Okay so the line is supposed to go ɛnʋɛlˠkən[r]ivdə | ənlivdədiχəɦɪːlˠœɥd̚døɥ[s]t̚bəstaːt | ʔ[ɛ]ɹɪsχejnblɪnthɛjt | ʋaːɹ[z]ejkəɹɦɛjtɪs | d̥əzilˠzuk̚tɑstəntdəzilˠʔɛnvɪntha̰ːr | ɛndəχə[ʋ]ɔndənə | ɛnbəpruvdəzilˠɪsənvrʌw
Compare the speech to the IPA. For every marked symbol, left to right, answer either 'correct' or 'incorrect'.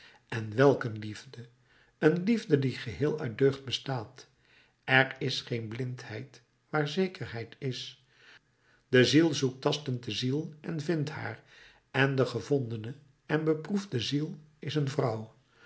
incorrect, incorrect, correct, correct, incorrect

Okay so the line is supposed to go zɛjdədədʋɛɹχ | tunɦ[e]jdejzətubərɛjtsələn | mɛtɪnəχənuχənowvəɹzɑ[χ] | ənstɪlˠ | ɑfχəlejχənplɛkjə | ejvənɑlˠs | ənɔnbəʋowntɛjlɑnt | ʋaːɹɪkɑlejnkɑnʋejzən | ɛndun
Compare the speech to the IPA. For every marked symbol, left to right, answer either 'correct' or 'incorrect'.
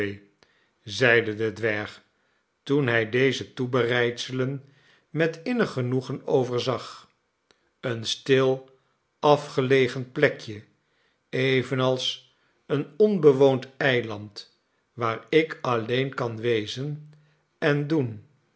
incorrect, correct

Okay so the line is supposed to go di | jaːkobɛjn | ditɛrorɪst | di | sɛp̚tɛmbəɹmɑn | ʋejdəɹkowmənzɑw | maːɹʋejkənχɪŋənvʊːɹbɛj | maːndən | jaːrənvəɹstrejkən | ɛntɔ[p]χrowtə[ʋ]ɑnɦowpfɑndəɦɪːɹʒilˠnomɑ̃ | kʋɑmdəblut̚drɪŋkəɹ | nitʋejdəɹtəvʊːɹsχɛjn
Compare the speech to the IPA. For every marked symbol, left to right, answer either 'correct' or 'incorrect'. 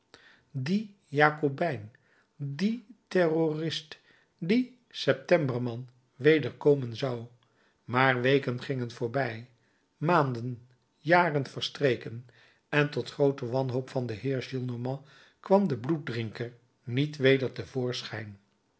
incorrect, correct

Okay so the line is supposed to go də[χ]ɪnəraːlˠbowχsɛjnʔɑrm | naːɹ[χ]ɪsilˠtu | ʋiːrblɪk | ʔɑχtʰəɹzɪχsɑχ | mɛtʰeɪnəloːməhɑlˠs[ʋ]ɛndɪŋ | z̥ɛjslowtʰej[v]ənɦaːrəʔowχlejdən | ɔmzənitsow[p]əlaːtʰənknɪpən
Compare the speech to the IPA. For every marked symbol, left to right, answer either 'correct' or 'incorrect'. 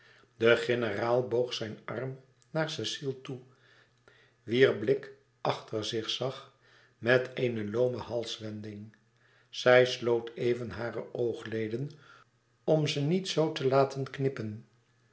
correct, incorrect, correct, correct, incorrect

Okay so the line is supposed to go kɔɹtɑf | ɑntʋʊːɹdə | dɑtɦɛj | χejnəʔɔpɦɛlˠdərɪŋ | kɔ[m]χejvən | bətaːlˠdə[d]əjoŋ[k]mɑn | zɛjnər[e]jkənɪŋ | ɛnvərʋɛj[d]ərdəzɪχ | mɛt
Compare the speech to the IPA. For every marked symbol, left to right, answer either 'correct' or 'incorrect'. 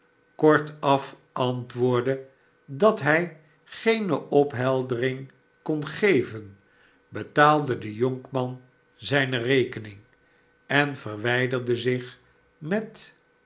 incorrect, correct, correct, correct, correct

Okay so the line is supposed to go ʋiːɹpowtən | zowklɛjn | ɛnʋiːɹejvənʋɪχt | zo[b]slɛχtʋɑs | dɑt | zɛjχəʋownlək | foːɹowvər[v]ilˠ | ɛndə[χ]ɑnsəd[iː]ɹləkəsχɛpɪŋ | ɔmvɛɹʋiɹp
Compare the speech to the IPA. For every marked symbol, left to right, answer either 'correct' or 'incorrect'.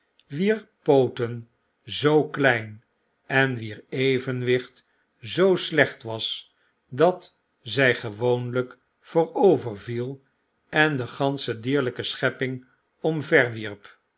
incorrect, correct, correct, correct

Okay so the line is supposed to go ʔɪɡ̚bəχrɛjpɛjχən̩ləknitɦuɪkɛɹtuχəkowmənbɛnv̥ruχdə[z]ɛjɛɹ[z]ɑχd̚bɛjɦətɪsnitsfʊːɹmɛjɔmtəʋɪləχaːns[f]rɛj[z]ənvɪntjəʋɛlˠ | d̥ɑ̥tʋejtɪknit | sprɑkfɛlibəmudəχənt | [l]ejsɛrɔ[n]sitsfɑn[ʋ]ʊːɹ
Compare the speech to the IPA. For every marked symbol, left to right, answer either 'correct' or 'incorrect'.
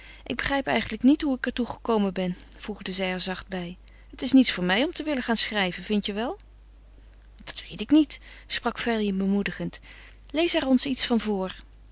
correct, correct, incorrect, incorrect, correct, correct, incorrect

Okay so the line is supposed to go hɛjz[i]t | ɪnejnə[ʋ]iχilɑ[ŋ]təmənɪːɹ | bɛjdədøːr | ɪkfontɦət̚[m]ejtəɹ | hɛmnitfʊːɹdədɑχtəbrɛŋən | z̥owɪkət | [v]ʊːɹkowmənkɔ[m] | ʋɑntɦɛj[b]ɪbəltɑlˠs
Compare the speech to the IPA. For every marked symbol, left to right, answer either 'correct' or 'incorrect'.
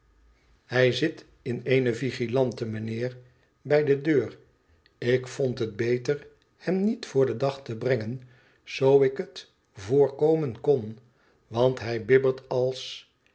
incorrect, incorrect, incorrect, incorrect, correct, incorrect, correct

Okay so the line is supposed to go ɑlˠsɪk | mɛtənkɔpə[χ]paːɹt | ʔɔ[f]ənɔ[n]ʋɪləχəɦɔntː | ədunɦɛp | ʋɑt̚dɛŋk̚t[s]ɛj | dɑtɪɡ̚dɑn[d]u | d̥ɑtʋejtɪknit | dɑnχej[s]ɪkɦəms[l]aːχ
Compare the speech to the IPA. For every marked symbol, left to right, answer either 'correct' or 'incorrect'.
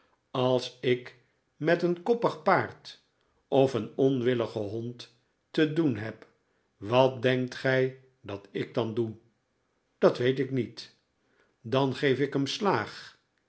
correct, correct, correct, incorrect, correct, incorrect, correct

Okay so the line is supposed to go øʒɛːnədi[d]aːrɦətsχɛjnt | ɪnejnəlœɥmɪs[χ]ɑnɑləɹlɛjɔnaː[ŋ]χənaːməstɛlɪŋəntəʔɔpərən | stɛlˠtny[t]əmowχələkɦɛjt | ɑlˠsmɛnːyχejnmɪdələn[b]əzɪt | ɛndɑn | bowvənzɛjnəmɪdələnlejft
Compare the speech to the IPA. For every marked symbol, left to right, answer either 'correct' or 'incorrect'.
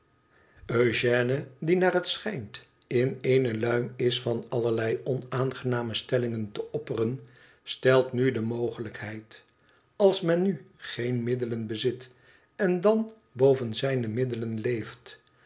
incorrect, incorrect, incorrect, incorrect, correct

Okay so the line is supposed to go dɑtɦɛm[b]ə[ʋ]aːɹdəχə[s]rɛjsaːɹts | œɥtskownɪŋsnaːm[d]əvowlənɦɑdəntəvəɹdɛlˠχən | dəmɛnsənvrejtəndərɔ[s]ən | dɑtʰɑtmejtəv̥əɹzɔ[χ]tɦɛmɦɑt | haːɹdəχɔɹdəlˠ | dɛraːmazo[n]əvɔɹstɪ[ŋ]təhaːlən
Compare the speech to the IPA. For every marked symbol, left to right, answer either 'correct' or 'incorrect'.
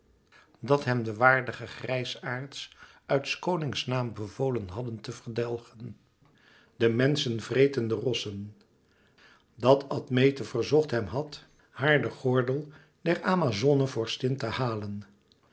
incorrect, correct, incorrect, incorrect, correct, correct, correct, incorrect

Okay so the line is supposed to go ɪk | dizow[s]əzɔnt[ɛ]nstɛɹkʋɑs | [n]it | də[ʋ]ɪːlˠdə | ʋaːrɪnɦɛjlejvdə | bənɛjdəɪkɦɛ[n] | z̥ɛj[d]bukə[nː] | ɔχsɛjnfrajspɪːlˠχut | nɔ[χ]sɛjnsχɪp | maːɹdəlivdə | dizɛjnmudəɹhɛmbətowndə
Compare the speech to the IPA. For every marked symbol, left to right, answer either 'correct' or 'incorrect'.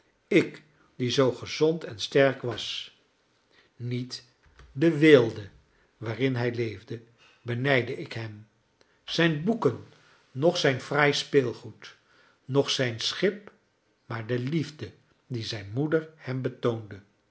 incorrect, correct, correct, correct, incorrect, incorrect, correct, correct

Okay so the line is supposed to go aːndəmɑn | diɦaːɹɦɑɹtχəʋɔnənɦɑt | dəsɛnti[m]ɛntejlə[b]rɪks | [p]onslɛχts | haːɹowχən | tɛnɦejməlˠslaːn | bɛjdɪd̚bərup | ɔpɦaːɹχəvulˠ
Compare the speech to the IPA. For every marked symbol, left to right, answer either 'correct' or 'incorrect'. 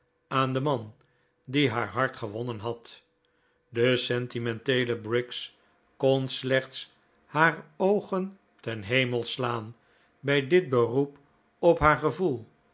correct, correct, incorrect

